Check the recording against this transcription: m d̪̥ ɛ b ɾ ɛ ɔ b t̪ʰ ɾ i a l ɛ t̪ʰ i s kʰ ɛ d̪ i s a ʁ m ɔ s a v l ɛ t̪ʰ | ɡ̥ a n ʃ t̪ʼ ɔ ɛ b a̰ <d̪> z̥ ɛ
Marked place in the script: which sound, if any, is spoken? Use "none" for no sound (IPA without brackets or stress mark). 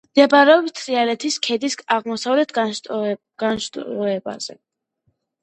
none